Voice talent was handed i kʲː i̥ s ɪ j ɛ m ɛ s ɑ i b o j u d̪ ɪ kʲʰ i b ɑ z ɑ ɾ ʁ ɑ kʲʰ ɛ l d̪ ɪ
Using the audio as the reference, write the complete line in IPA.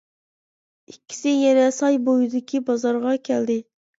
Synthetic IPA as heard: i kʲː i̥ s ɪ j ɛ n ɛ s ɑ j b o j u d̪ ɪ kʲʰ i b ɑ z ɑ ɾ ʁ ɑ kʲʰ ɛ l d̪ ɪ